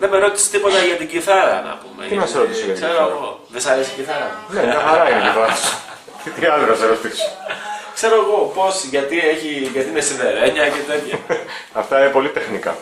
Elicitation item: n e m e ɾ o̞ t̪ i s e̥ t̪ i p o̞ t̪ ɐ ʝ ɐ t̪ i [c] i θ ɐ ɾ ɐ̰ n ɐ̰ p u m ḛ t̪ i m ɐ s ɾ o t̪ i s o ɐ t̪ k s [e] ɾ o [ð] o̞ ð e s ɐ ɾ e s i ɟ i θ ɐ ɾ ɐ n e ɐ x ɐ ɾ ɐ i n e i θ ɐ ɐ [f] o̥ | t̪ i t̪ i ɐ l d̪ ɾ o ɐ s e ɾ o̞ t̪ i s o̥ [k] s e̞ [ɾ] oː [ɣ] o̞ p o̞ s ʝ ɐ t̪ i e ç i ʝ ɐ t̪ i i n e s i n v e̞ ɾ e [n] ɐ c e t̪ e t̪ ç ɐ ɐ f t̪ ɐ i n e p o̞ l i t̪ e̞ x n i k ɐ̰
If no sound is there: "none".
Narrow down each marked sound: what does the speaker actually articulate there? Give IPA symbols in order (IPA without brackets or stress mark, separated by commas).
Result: ɟ, e, ɣ, s, k, ɾ, ɣ, ɲ